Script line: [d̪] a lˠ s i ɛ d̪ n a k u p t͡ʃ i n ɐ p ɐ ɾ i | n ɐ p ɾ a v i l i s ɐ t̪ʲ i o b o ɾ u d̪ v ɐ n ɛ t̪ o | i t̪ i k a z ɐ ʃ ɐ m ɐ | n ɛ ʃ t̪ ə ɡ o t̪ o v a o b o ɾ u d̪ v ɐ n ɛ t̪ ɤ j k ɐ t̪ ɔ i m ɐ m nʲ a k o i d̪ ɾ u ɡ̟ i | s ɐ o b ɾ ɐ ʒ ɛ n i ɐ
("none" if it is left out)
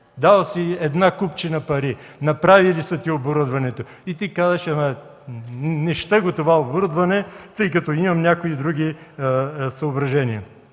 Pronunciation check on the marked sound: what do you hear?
d̪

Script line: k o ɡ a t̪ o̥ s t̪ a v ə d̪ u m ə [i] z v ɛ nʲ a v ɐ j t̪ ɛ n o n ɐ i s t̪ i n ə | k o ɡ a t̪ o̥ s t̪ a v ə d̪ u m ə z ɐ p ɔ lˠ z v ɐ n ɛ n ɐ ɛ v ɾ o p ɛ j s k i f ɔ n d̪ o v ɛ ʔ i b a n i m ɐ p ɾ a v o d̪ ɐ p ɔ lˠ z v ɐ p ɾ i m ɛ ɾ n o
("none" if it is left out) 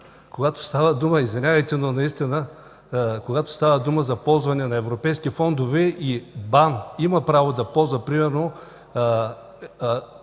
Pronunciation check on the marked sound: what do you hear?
i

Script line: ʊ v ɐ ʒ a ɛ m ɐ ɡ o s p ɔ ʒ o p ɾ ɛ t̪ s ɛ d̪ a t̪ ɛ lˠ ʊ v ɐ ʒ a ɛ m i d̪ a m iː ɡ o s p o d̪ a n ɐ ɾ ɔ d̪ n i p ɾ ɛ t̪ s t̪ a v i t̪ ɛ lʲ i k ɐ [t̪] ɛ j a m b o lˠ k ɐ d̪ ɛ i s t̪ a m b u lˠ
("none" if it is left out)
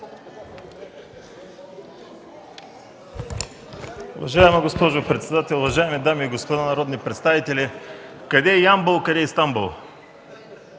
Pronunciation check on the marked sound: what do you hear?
d̪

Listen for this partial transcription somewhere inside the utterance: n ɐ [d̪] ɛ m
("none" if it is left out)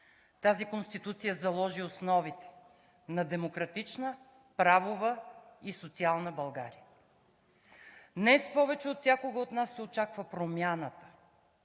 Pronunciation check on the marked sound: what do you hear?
d̪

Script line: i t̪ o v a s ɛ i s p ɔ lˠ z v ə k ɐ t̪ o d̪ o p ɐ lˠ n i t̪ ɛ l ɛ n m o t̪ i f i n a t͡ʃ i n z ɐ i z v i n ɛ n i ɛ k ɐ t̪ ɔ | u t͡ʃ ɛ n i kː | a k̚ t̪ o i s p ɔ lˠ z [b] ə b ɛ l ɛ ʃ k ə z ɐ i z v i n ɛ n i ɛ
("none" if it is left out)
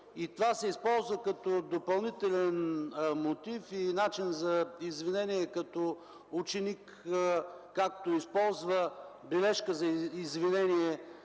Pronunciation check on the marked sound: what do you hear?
v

